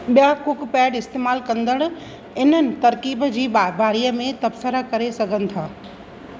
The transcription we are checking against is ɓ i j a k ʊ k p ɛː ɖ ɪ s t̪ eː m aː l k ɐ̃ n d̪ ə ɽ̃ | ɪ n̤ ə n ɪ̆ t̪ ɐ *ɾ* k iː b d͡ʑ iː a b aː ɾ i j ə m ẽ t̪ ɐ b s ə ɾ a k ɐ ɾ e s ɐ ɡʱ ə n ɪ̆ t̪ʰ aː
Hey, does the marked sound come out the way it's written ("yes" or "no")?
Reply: yes